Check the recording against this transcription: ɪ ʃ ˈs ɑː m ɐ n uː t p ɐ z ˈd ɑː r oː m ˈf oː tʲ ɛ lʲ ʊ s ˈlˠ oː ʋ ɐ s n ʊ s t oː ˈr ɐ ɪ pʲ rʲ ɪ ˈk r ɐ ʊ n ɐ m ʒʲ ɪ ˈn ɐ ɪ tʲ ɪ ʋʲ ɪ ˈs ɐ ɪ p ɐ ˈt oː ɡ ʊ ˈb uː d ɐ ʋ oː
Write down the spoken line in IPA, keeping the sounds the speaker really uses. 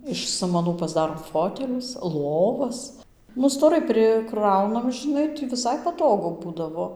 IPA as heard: ɪ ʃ ˈs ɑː m ɐ n uː p ɐ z ˈd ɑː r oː m ˈf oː tʲ ɛ lʲ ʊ s ˈlˠ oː ʋ ɐ s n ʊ s t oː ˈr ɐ ɪ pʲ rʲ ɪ ˈk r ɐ ʊ n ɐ m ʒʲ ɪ ˈn ɐ ɪ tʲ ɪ ʋʲ ɪ ˈs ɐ ɪ p ɐ ˈt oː ɡ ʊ ˈb uː d ɐ ʋ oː